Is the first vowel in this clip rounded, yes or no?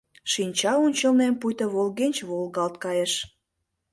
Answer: no